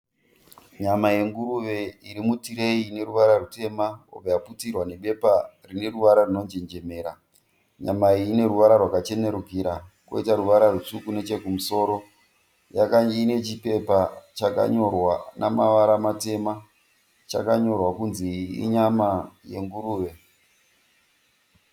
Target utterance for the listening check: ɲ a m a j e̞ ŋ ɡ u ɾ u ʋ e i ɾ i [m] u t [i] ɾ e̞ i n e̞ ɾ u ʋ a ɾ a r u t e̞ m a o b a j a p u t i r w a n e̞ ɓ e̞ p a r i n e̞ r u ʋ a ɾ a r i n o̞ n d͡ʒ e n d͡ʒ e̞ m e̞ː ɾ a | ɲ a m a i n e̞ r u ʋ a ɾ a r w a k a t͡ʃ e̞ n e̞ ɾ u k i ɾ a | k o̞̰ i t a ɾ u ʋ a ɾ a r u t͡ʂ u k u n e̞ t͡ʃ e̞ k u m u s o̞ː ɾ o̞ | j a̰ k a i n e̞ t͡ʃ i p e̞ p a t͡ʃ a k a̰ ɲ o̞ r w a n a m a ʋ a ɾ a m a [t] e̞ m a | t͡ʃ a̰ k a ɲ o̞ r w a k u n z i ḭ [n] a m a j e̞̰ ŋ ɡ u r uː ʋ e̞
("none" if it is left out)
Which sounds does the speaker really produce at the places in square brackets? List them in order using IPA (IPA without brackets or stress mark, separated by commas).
m, i, t, ɲ